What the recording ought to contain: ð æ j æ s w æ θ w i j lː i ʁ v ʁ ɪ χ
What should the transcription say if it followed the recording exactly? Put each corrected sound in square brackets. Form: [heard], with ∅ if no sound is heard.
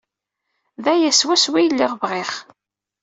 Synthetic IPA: ð æ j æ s w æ [s] w i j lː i ʁ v ʁ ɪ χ

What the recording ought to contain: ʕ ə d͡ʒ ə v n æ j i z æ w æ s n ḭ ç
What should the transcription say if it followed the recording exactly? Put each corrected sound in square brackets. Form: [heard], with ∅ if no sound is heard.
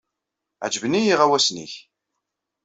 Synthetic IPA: ʕ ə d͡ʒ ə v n [i] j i [ʁ] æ w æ s n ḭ ç

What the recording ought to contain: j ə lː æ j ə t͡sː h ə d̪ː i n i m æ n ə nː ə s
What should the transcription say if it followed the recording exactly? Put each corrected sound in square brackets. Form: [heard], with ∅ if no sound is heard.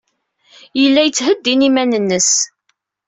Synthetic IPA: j ə lː æ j ə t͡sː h ə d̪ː i n i m æ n ə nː ə s

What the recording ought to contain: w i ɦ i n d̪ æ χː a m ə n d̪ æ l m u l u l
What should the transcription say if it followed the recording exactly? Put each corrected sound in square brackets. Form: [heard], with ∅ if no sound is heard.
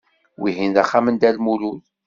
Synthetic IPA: w i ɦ i n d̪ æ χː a m ə n d̪ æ l m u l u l

